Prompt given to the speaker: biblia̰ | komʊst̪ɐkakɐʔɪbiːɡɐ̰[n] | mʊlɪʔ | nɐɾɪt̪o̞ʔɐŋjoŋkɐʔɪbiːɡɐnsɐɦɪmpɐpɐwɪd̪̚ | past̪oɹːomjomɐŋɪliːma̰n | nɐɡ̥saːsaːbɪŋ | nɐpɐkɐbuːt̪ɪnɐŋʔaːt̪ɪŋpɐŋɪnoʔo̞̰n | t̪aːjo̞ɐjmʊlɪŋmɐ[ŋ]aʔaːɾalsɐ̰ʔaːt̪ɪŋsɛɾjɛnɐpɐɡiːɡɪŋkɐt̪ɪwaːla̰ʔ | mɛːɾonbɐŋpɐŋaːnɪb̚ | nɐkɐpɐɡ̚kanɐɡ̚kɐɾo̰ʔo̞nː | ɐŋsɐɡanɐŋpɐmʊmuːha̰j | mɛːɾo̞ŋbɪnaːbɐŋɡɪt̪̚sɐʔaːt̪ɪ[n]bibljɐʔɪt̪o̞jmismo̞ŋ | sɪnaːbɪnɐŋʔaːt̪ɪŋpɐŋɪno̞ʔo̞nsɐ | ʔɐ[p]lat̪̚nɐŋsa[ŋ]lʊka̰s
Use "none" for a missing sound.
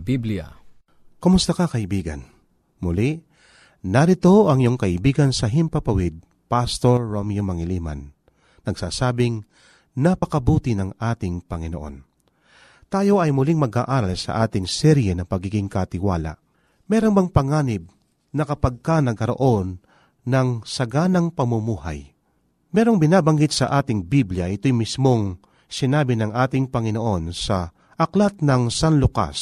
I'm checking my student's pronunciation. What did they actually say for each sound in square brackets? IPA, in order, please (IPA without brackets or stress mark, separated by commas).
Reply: n, ɡ, ŋ, k, n